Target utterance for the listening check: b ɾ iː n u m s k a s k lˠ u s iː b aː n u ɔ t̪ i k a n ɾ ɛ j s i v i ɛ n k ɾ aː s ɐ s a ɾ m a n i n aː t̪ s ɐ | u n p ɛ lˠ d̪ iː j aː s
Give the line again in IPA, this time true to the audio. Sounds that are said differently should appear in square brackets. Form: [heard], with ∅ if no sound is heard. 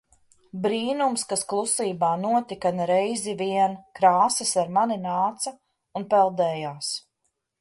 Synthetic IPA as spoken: b ɾ iː n u m s k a s k lˠ u s iː b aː n u ɔ t̪ i k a n ɾ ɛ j [z] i v i ɛ n k ɾ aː s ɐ s a ɾ m a n i n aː t̪ s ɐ | u n p ɛ lˠ d̪ [ɛː] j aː s